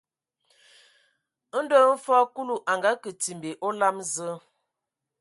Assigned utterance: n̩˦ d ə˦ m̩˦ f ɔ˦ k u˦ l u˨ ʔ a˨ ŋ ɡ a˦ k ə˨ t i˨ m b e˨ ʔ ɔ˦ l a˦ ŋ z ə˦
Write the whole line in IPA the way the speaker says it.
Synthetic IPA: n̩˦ d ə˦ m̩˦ f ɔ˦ k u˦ l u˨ ʔ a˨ ŋ ɡ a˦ k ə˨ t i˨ m b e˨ ʔ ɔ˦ l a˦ m z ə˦